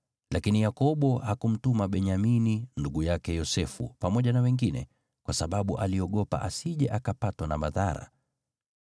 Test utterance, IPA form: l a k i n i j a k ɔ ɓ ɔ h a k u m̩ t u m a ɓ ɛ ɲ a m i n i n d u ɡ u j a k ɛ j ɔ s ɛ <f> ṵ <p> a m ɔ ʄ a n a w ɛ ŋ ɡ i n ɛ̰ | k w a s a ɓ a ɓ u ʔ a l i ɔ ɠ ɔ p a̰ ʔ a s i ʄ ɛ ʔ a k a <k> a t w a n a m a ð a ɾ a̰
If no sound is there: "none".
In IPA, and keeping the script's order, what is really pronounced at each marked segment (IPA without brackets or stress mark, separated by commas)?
f, p, p